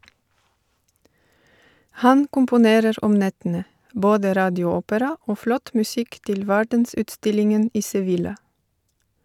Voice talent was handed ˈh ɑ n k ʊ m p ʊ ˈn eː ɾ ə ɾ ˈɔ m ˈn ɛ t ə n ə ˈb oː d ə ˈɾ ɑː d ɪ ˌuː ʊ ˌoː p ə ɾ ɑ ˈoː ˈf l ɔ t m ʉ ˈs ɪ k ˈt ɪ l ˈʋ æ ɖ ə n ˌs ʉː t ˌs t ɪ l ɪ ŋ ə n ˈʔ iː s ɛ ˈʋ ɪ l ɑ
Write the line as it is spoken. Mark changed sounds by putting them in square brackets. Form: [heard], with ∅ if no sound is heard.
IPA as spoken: ˈh ɑ n k ʊ m p ʊ ˈn eː ɾ ə ɾ ˈɔ m ˈn ɛ t ə n ə ˈb oː d ə ˈɾ ɑː d ɪ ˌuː ʊ ˌoː p ə ɾ ɑ ˈoː ˈf l ɔ t m ʉ ˈs ɪ k ˈt ɪ l ˈʋ æ ɖ ə n ˌs ʉː t ˌs t ɪ l ɪ ŋ ə n ˈʔ iː s ɛ ˈʋ ɪ l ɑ